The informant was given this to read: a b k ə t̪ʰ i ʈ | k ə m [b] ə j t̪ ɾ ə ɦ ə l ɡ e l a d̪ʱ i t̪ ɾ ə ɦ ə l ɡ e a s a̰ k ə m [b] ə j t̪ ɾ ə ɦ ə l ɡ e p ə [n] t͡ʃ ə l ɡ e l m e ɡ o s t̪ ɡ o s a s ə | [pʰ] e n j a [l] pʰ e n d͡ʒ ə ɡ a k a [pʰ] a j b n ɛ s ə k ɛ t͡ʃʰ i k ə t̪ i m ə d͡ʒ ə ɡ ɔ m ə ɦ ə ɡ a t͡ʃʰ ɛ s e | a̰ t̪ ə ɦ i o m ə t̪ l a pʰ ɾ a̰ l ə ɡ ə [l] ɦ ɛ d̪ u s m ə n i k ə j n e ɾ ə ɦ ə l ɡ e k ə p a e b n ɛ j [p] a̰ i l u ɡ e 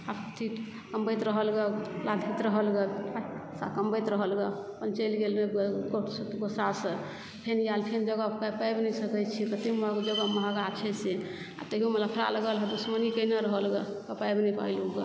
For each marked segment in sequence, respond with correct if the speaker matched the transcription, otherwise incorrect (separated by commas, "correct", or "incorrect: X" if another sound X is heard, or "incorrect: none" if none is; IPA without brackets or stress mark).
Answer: correct, correct, correct, correct, correct, incorrect: p, correct, correct